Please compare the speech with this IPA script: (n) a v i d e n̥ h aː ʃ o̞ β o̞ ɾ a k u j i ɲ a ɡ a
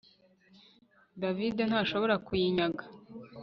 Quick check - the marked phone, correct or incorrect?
incorrect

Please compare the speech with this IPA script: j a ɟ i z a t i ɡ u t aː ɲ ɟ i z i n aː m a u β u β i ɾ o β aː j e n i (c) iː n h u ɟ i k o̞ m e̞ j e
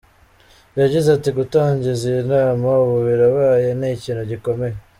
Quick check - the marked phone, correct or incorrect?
correct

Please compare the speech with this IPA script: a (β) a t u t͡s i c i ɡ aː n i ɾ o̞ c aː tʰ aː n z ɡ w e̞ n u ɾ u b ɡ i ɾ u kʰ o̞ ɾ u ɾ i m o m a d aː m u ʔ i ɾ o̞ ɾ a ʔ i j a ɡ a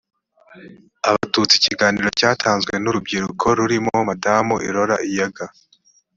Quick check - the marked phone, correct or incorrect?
correct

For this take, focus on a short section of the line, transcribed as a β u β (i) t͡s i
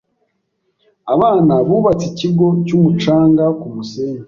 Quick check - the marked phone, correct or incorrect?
incorrect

